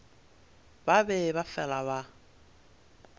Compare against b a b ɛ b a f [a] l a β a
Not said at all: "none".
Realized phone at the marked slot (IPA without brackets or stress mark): ɛ